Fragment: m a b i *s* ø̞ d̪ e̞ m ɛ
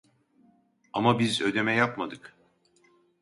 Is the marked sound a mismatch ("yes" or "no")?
yes